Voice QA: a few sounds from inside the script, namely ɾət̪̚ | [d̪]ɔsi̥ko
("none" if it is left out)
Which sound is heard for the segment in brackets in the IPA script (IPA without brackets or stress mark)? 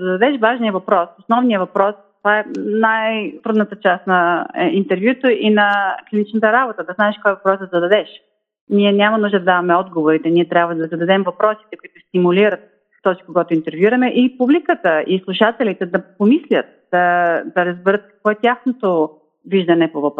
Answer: t̪